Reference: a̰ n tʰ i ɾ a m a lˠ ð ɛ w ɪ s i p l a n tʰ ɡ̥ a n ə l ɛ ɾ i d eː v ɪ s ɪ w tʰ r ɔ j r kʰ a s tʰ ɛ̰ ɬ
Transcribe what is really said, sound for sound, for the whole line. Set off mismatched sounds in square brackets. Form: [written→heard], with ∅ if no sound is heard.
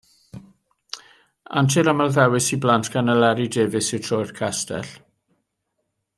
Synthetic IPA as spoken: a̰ n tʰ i ɾ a m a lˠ ð ɛ w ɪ s i [p→b] l a n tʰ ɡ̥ a n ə l ɛ ɾ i d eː v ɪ s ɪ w tʰ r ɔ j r kʰ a s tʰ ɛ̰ ɬ